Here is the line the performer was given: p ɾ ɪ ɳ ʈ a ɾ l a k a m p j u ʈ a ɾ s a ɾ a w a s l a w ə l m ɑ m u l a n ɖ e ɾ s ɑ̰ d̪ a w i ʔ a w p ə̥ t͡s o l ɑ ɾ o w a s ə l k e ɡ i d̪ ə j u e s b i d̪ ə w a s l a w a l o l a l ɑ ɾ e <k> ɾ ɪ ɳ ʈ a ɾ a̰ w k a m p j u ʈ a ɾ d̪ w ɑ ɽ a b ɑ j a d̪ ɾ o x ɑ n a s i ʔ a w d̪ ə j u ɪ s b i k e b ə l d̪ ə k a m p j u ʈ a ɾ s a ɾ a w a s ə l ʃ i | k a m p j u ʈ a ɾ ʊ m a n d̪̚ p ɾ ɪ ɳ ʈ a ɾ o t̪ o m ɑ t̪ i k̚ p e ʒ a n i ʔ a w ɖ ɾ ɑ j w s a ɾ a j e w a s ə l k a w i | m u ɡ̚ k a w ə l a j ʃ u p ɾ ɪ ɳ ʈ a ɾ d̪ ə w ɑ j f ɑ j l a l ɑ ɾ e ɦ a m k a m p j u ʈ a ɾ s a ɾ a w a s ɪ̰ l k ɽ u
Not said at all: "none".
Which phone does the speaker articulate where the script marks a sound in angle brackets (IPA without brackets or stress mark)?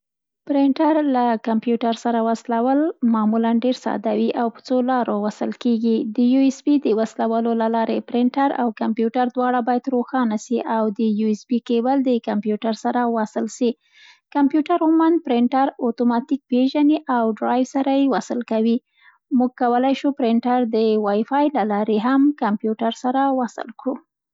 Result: p